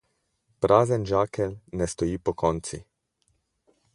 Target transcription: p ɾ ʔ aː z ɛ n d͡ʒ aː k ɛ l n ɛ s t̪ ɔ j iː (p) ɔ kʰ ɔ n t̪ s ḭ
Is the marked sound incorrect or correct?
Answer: correct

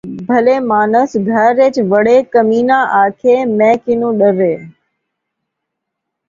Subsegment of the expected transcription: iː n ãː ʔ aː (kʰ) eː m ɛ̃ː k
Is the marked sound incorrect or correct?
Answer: correct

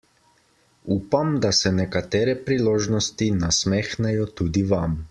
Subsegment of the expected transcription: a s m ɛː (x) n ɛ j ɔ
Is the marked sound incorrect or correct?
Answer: correct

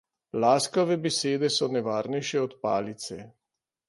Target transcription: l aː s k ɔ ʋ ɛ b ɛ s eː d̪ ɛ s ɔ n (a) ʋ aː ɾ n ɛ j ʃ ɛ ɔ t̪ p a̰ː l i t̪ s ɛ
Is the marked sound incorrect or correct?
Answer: incorrect: ɛ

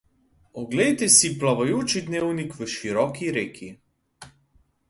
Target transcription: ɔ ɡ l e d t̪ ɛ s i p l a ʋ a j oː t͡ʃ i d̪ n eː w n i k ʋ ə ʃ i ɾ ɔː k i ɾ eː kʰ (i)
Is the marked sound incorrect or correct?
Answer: correct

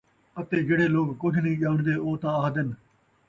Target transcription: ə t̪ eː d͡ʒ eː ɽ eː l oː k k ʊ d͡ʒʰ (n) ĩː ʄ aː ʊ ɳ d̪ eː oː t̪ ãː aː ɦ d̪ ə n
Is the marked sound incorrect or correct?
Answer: correct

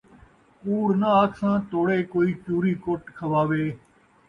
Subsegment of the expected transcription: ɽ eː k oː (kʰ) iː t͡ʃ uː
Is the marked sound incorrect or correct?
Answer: incorrect: none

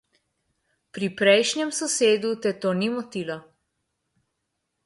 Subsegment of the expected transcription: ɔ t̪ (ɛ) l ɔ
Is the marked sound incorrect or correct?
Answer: incorrect: i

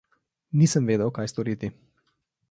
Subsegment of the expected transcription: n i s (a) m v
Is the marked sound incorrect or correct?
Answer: incorrect: ə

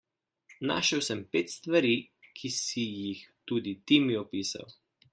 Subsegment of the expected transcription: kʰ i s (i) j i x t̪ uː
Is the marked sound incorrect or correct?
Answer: correct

